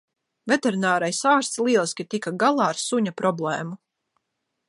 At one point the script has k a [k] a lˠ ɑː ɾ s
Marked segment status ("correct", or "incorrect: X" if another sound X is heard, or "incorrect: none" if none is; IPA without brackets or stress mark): incorrect: ɡ